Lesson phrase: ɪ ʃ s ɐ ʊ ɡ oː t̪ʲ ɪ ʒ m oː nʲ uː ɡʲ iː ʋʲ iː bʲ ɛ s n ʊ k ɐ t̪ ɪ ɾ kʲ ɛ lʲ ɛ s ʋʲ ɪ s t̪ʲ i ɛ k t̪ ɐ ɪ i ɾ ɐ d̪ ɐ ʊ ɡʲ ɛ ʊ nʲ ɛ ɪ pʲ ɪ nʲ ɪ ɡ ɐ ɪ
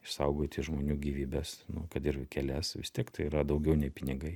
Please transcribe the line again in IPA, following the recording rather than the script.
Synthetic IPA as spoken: ɪ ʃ s ɐ ʊ ɡ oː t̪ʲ ɪ ʒ m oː nʲ uː ɡʲ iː ʋʲ iː bʲ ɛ s n ʊ k ɐ t̪ ɪ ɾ kʲ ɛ lʲ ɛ s ʋʲ ɪ s t̪ʲ i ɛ k t̪ ɐ ɪ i ɾ ɐ d̪ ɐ ʊ ɡʲ ɛ ʊ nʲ ɛ ɪ pʲ ɪ nʲ ɪ ɡ ɐ ɪ